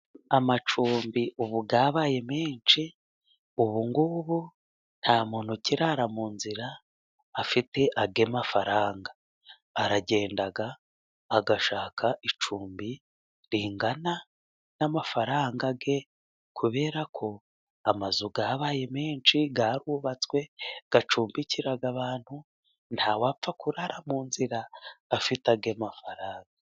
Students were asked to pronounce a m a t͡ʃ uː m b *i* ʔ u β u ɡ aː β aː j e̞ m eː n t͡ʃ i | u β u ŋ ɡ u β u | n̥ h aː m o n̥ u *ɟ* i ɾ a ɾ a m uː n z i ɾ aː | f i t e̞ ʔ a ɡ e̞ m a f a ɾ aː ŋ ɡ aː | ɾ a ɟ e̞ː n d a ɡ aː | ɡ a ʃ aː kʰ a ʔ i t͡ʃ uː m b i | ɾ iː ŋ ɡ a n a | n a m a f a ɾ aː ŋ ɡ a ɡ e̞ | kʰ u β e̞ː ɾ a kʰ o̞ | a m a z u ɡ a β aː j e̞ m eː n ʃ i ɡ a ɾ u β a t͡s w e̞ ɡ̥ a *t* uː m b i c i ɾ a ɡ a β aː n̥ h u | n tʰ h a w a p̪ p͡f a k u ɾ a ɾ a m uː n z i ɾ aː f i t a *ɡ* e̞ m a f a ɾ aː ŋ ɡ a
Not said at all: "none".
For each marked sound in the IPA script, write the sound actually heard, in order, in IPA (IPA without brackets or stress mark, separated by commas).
i, c, t͡ʃ, ɡ